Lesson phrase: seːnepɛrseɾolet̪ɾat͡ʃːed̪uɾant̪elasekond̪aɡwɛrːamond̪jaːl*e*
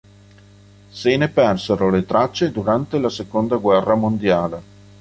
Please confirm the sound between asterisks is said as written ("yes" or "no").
yes